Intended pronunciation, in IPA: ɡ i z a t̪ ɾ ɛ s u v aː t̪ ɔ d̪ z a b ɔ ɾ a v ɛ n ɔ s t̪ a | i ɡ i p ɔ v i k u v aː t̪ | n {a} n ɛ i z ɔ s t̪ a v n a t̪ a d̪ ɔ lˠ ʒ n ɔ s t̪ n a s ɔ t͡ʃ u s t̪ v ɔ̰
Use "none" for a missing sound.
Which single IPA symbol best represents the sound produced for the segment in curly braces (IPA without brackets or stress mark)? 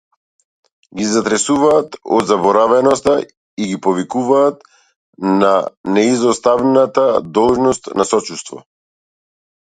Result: a